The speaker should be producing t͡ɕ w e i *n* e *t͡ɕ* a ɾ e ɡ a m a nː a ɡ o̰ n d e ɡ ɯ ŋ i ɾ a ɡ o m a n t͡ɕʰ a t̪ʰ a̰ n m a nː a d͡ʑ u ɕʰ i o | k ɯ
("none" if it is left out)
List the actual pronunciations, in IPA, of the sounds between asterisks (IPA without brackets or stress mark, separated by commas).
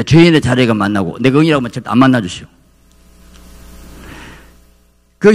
n, t͡ɕ